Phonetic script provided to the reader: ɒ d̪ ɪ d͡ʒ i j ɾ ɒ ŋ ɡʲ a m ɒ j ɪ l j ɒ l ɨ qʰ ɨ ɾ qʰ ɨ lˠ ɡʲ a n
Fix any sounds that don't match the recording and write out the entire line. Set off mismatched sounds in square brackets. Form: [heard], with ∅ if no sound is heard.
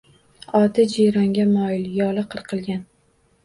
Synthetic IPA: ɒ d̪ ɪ d͡ʒ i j ɾ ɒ ŋ ɡʲ a m ɒ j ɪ l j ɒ l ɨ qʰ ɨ ɾ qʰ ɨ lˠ ɡʲ a n

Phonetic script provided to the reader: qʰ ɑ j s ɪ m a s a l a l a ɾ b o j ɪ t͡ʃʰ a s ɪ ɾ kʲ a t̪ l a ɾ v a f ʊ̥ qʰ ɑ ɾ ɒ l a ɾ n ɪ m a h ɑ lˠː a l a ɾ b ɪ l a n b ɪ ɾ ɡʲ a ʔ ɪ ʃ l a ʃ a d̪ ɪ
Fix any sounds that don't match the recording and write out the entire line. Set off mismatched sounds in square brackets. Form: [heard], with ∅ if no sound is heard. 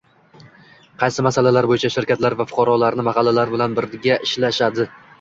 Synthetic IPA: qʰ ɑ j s ɪ m a s a l a l a ɾ b o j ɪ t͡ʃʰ a [ʃ] ɪ ɾ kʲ a t̪ l a ɾ v a f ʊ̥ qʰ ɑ ɾ ɒ l a ɾ n ɪ m a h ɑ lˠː a l a ɾ b ɪ l a n b ɪ ɾ ɡʲ a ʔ ɪ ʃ l a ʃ a d̪ ɪ

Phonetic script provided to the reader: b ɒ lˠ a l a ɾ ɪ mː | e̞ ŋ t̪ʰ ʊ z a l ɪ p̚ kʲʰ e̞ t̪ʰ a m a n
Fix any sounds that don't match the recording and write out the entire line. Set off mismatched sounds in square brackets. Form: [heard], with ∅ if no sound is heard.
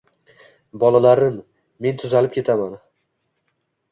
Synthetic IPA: b ɒ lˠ a l a ɾ ɪ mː | e̞ [n] t̪ʰ ʊ z a l ɪ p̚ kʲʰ e̞ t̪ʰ a m a n

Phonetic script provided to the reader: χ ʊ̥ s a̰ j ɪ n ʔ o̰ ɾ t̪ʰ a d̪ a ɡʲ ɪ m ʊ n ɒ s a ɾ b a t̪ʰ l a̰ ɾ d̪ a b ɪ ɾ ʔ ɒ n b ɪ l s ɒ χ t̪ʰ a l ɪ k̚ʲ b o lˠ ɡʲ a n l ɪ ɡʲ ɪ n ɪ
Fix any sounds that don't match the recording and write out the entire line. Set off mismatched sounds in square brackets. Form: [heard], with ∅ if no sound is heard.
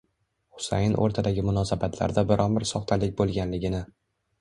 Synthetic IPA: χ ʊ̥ s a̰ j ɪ n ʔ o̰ ɾ t̪ʰ a d̪ a ɡʲ ɪ m ʊ n ɒ s a [∅] b a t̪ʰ l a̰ ɾ d̪ a b ɪ ɾ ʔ ɒ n b ɪ [ɾ] s ɒ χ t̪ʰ a l ɪ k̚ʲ b o lˠ ɡʲ a n l ɪ ɡʲ ɪ n ɪ

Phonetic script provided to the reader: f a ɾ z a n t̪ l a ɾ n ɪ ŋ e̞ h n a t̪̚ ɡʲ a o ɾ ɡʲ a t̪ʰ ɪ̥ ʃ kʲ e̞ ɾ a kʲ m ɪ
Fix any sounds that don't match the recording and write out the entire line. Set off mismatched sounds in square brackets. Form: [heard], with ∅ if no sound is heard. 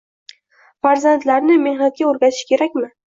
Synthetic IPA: f a ɾ z a n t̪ l a ɾ n ɪ [m] e̞ h n a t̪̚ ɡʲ a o ɾ ɡʲ a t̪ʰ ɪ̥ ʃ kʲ e̞ ɾ a kʲ m ɪ

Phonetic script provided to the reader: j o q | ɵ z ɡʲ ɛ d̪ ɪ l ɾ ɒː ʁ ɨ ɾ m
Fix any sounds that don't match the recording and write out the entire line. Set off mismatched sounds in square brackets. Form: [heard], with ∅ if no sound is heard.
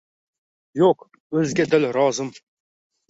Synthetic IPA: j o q | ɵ z ɡʲ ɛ d̪ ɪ l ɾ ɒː [z] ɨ [∅] m

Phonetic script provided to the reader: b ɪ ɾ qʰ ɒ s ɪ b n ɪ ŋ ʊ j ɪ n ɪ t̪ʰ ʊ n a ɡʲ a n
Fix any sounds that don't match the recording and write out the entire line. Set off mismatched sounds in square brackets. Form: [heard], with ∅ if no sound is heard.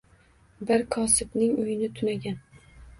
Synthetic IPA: b ɪ ɾ [kʰ] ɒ s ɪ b n ɪ ŋ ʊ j ɪ n ɪ t̪ʰ ʊ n a ɡʲ a n

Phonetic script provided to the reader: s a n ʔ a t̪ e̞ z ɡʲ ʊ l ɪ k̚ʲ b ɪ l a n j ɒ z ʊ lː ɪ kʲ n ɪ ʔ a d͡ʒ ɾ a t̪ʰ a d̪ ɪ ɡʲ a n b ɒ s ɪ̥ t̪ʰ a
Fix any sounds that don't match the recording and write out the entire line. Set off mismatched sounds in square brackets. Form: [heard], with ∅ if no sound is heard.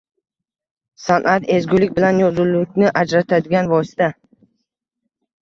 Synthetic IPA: s a n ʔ a t̪ e̞ z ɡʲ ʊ l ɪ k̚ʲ b ɪ l a n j ɒ z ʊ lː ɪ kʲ n ɪ ʔ a d͡ʒ ɾ a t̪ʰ a d̪ ɪ ɡʲ a n [v] ɒ s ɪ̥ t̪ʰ a

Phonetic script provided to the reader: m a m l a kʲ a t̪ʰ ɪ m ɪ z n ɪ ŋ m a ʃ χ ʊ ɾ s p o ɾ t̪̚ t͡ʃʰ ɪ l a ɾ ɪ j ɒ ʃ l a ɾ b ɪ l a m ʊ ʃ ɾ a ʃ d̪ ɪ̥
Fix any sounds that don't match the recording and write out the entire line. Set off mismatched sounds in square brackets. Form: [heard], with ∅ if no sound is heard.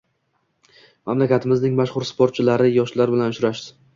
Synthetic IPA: m a m l a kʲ a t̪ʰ ɪ m ɪ z n ɪ ŋ m a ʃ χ ʊ ɾ s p o ɾ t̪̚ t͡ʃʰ ɪ l a ɾ ɪ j ɒ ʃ l a ɾ b ɪ l a [n] ʊ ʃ ɾ a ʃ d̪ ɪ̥

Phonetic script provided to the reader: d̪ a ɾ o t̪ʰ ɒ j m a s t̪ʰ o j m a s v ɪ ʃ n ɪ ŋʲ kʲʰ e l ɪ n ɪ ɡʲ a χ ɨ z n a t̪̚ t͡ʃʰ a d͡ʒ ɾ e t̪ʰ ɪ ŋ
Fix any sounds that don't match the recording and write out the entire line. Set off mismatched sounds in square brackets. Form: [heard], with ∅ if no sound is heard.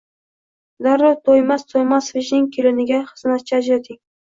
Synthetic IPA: d̪ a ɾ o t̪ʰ [o] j m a s t̪ʰ o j m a s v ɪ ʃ n ɪ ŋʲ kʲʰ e l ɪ n ɪ ɡʲ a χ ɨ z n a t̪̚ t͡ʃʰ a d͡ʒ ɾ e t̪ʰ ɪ ŋ

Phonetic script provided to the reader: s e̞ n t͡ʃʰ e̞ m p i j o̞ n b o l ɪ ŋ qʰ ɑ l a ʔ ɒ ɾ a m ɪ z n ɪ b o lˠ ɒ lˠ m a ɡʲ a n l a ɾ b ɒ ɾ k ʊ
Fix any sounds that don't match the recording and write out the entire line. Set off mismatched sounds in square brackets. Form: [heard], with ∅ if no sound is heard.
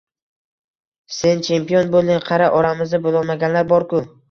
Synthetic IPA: s e̞ n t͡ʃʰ e̞ m p i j o̞ n b o l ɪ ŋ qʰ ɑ [ɾ] a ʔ ɒ ɾ a m ɪ z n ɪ b o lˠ ɒ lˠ m a ɡʲ a n l a ɾ b ɒ ɾ k ʊ

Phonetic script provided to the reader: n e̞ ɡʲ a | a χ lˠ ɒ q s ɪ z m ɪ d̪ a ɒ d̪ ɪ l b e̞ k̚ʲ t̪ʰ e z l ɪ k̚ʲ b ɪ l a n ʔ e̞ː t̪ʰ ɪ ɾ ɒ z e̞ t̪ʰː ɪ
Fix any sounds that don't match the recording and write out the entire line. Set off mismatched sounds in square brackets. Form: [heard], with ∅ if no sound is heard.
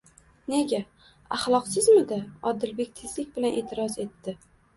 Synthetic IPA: n e̞ ɡʲ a | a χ lˠ ɒ q s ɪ z m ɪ d̪ a ɒ d̪ ɪ l b e̞ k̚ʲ t̪ʰ e z l ɪ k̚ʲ b ɪ l a n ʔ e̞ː t̪ʰ ɪ ɾ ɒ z e̞ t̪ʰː ɪ

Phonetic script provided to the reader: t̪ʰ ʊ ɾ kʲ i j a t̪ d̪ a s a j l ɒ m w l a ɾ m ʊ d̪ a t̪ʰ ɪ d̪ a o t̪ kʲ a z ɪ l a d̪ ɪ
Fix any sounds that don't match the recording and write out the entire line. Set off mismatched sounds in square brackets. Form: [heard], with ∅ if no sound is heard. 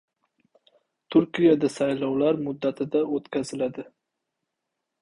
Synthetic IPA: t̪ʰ ʊ ɾ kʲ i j a [∅] d̪ a s a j l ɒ [∅] w l a ɾ m ʊ [d̪ː] a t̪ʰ ɪ d̪ a o t̪ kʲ a z ɪ l a d̪ ɪ

